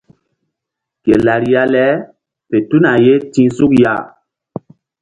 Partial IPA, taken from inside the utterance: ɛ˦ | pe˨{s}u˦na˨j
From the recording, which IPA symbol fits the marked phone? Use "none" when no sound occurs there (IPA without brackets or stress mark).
t